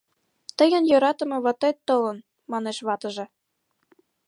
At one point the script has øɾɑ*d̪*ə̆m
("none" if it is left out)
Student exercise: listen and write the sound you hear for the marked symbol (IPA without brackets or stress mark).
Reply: t̪